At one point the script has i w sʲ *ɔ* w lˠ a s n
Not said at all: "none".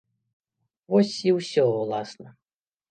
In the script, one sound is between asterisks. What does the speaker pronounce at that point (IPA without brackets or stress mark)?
ɔ